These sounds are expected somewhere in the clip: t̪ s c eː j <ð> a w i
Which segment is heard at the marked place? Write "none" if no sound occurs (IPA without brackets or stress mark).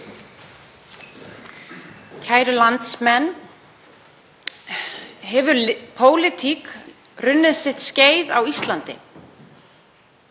ð